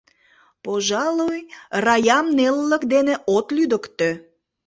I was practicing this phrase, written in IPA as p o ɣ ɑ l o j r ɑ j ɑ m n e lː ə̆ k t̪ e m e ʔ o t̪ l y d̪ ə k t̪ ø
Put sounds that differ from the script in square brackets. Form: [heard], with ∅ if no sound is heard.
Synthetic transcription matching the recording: p o [ʒ] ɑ l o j r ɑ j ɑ m n e lː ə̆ k [d̪] e [n] e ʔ o t̪ l y d̪ ə k t̪ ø